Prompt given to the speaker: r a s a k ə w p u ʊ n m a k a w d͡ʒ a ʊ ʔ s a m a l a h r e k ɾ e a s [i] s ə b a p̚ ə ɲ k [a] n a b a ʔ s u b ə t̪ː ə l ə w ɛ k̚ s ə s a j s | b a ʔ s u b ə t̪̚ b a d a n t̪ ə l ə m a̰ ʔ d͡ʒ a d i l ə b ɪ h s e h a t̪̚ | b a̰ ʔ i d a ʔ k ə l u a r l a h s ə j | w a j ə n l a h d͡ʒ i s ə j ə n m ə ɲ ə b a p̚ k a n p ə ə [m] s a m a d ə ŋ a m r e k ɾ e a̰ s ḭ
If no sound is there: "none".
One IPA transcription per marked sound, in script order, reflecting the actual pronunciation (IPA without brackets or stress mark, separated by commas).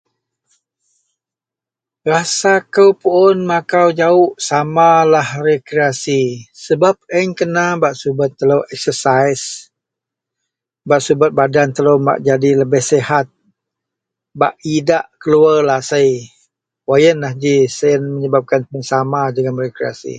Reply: i, ə, n